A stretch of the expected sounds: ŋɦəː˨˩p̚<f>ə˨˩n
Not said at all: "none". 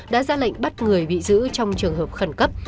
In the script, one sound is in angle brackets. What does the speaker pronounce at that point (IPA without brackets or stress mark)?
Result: x